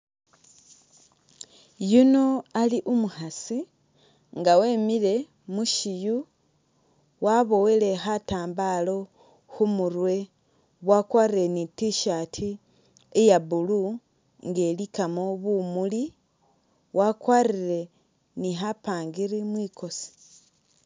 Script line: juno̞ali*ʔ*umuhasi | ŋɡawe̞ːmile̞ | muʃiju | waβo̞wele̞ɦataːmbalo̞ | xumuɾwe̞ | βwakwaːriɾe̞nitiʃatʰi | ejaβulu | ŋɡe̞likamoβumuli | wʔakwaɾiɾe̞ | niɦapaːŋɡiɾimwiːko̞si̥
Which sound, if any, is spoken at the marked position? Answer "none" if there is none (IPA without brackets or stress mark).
ʔ